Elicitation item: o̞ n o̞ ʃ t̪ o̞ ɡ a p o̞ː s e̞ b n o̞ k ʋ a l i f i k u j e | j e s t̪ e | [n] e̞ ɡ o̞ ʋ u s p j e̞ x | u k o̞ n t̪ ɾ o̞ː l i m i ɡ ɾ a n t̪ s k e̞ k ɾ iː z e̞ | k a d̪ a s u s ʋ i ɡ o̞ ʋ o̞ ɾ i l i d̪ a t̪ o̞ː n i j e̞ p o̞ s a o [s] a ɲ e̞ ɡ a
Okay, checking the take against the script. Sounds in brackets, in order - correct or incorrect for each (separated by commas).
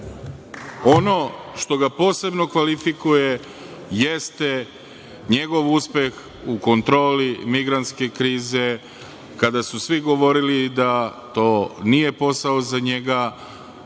incorrect, incorrect